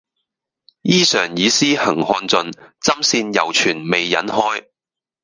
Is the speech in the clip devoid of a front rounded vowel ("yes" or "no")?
no